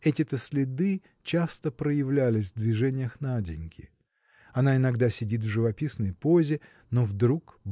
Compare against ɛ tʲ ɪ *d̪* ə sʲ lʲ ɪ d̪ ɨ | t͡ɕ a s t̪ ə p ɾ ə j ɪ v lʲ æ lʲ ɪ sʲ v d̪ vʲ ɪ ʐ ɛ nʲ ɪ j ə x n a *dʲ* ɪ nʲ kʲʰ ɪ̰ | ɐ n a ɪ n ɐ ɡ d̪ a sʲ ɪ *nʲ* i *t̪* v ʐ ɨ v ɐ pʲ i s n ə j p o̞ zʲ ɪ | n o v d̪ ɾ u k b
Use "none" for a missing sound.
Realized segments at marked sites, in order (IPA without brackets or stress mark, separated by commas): t̪, dʲ, dʲ, t̪